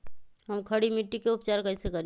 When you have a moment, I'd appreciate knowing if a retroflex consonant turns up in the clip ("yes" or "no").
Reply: yes